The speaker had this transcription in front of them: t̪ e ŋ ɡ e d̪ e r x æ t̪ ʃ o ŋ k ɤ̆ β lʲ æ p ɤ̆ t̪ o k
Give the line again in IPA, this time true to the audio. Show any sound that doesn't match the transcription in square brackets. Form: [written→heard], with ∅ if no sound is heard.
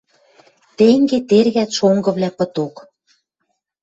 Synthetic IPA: t̪ e ŋ ɡ e [d̪→t̪] e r [x→ɣ] æ t̪ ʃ o ŋ [k→ɡ] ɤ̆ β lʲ æ p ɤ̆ t̪ o k